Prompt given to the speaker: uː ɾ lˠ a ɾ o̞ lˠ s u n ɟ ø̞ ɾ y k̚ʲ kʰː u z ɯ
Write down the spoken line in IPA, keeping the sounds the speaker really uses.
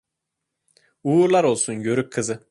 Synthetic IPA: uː ɾ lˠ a ɾ o̞ lˠ s u n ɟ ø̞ ɾ y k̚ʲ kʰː ɯ z ɯ